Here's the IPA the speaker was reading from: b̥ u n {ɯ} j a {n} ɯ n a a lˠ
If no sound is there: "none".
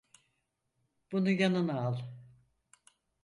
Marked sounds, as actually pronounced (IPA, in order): u, n

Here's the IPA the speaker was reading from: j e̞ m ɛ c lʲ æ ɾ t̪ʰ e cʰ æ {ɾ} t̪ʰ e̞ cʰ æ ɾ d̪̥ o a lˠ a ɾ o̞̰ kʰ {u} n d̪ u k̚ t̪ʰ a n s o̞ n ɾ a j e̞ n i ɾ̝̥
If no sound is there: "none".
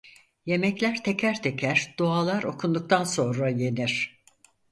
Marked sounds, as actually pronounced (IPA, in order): ɾ, u

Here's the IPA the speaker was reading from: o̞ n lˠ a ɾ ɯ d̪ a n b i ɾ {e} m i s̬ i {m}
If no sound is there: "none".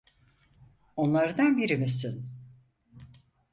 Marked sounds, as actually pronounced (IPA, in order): i, n

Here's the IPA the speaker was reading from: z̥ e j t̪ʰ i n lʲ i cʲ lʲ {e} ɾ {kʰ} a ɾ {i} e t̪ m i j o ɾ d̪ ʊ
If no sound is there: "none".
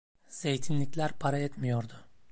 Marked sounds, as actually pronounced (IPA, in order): æ, pʰ, a

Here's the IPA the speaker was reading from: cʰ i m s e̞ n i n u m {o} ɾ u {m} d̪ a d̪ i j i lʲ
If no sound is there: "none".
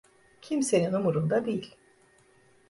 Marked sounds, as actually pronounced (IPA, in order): u, n

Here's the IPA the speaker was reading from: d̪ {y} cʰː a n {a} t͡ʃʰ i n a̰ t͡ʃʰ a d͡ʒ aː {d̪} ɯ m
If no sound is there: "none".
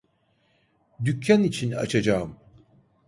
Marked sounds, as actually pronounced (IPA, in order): y, i, none

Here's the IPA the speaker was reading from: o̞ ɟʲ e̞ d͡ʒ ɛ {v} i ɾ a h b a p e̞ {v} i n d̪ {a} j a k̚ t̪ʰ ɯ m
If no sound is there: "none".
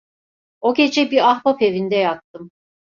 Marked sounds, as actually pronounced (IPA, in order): b, v, ɛ

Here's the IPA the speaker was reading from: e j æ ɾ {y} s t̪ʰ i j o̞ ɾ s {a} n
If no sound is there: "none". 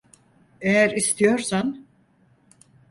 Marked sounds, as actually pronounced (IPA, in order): i, a

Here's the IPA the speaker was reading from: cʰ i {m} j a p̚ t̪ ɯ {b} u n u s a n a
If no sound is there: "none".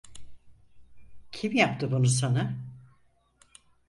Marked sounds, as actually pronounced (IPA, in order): m, b

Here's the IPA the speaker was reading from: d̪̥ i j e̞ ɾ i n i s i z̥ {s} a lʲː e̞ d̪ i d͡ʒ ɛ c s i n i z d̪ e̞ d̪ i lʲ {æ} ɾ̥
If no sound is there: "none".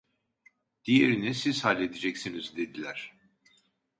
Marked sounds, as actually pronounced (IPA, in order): h, æ

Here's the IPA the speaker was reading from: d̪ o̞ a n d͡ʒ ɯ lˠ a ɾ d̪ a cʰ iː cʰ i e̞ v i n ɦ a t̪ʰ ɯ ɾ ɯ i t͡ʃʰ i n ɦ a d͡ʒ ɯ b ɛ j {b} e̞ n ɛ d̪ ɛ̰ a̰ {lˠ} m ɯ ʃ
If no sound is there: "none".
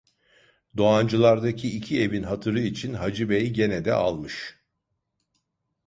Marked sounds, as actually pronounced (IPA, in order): ɟ, lˠ

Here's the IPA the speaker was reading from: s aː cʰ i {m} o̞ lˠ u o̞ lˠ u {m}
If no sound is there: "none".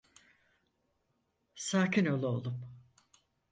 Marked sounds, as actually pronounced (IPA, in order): n, m

